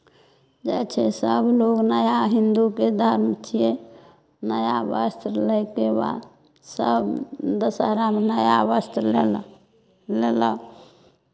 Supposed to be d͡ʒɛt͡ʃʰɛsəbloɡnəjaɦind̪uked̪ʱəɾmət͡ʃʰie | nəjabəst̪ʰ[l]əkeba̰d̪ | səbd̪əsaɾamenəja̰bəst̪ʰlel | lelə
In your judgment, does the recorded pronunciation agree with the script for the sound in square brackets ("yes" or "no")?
yes